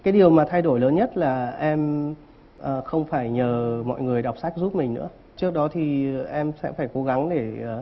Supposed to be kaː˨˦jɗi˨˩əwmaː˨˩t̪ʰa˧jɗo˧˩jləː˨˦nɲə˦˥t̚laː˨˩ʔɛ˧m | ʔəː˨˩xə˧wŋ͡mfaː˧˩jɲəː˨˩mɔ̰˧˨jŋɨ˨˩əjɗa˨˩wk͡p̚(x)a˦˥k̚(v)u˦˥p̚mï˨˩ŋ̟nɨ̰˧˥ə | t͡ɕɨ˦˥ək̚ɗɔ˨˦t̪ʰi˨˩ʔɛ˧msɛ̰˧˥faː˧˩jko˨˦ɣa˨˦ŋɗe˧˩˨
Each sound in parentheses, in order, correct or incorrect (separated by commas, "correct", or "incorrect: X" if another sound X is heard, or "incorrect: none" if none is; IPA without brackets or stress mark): incorrect: s, incorrect: z